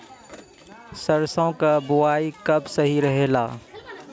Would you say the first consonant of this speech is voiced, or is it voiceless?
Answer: voiceless